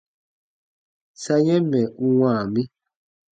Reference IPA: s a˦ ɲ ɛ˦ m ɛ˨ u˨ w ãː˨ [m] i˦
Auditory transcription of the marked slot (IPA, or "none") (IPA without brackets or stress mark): m